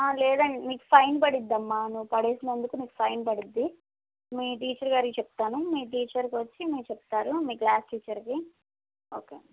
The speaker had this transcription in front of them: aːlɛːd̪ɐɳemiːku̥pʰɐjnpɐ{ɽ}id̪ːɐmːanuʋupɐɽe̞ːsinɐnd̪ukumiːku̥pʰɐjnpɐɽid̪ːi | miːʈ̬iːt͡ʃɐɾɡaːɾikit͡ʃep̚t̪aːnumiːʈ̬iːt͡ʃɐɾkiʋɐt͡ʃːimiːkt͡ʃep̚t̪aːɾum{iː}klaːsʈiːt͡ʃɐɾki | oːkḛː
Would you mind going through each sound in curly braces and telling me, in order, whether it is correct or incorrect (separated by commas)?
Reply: correct, correct